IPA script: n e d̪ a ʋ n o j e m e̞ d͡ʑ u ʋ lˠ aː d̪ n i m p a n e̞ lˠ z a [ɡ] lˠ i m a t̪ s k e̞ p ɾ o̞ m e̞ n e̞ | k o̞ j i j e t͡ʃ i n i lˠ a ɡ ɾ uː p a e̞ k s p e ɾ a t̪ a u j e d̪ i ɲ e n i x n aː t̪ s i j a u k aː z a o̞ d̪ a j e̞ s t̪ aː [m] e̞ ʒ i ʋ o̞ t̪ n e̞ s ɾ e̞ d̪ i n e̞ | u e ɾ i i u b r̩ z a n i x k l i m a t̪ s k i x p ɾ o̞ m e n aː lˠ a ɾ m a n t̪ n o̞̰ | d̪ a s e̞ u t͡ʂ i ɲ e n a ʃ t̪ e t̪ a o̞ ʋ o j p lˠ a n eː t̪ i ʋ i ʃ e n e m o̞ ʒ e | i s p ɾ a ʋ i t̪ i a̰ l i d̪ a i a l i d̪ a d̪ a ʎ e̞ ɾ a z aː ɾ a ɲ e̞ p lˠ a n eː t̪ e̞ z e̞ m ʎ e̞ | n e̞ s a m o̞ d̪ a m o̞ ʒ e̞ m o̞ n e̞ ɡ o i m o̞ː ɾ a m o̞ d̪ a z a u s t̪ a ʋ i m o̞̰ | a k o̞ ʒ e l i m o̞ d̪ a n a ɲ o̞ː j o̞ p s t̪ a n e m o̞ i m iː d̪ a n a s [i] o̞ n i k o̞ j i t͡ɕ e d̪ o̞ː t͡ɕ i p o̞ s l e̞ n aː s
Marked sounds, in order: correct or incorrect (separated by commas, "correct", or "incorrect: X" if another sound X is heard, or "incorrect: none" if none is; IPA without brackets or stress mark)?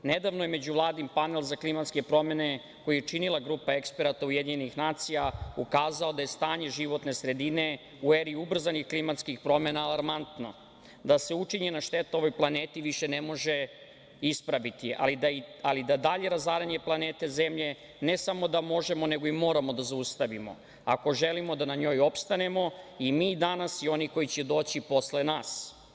incorrect: k, incorrect: ɲ, correct